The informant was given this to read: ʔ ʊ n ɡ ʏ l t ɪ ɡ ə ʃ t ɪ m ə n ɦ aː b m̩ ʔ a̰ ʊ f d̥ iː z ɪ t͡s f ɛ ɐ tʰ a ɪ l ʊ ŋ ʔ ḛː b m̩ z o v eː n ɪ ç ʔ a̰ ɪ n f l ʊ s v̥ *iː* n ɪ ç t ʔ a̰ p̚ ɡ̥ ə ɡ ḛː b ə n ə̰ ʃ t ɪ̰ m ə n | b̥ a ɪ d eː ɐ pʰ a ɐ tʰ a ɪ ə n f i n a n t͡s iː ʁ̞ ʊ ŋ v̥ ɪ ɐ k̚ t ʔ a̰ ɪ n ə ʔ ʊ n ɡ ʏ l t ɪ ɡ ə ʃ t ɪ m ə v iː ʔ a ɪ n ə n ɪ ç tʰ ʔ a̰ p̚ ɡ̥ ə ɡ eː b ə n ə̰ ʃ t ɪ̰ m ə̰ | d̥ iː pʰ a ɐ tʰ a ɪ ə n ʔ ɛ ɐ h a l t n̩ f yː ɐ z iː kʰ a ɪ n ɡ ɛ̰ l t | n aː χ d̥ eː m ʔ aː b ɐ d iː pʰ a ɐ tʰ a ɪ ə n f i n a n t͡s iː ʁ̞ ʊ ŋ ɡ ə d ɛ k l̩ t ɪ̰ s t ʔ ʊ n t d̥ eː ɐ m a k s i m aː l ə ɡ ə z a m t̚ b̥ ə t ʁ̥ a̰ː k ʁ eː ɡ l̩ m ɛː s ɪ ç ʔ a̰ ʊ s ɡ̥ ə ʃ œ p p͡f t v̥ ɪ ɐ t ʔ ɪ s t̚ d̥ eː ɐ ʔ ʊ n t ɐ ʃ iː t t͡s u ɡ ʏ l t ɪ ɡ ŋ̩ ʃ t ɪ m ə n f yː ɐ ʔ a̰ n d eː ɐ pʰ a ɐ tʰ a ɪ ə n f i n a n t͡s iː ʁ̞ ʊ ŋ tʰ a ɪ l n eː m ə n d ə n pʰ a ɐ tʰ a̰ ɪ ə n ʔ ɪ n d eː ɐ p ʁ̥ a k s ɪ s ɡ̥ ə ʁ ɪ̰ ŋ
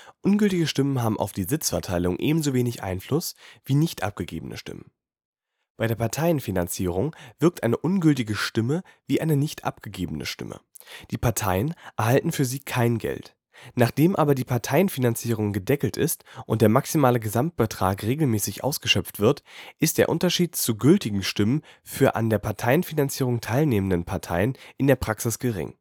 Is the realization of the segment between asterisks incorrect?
no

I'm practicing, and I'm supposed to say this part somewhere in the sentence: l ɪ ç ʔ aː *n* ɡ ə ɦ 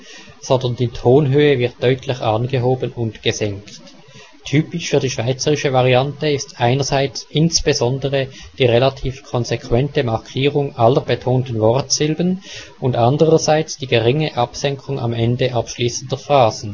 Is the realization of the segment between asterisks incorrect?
no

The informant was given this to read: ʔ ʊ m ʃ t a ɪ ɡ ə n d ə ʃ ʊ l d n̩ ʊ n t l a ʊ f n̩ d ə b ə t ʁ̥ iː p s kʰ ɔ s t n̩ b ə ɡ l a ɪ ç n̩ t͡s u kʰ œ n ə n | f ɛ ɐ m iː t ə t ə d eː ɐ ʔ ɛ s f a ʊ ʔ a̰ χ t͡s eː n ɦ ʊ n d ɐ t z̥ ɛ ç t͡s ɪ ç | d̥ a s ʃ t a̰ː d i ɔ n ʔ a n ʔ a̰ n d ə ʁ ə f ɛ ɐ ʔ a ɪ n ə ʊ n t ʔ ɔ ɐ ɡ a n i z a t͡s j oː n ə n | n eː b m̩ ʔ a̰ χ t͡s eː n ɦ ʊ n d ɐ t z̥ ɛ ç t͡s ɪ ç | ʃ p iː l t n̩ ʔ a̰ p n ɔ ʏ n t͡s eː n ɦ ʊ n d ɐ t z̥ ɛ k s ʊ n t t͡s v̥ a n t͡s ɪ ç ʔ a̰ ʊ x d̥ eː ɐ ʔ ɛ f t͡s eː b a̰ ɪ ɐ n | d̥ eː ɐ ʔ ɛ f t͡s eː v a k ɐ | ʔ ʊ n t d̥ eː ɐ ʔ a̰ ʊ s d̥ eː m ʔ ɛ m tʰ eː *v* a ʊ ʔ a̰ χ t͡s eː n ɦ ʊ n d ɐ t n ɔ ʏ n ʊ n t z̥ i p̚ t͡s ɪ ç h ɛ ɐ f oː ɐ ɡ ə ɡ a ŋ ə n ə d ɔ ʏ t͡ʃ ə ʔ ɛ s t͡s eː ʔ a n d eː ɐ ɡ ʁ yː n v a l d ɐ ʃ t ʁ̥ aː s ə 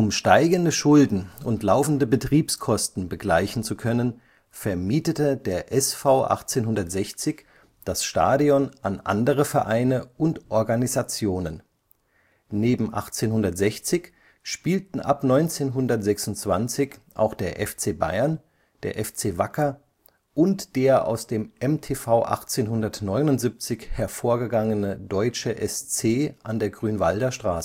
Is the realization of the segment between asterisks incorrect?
yes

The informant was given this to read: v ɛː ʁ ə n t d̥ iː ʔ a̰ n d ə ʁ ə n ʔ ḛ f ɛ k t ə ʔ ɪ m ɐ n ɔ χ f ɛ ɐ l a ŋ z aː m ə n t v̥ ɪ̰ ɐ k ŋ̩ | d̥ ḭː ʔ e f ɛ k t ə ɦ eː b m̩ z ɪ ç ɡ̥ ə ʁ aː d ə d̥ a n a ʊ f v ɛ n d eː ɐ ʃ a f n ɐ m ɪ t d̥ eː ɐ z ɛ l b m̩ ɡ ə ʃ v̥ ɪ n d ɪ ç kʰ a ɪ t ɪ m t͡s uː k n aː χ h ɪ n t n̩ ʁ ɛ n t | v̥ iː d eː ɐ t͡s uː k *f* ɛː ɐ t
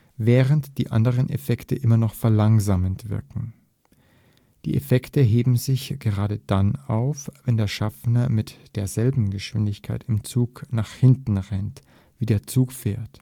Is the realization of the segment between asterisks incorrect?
no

